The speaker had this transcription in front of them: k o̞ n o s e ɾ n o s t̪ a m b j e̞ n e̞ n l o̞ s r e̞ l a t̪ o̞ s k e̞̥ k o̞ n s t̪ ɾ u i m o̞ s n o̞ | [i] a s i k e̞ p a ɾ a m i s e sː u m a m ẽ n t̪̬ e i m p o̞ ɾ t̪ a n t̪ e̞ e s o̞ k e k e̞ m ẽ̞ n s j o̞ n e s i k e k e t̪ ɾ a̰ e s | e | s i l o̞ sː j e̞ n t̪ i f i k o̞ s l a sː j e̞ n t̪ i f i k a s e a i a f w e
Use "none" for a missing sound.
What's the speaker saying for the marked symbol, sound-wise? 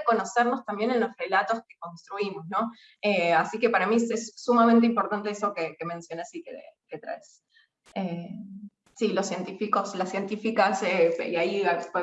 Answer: e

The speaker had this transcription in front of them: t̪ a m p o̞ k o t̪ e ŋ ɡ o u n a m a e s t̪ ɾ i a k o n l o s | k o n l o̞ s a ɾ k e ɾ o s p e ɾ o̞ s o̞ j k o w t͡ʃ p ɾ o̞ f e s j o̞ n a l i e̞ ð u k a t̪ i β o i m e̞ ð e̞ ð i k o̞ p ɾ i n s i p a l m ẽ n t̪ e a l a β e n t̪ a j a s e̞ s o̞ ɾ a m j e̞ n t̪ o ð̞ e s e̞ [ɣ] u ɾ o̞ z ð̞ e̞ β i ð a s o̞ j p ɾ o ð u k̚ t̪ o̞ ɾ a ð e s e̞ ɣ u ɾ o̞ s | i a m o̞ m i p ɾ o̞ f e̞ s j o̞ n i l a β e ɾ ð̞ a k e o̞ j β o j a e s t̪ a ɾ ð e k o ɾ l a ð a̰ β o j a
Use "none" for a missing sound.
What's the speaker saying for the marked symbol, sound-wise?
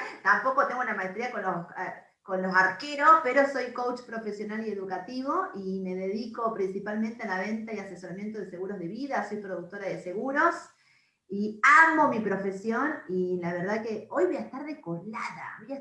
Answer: ɣ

